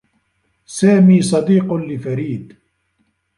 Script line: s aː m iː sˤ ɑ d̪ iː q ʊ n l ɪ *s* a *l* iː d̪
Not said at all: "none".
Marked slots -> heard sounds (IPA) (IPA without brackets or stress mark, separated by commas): f, ɾ